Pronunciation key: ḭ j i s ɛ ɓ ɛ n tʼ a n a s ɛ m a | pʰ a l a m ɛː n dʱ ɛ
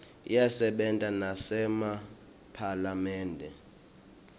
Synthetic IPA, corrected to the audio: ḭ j a s ɛ ɓ ɛ n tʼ a n a s ɛ m a | pʰ a l a m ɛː n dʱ ɛ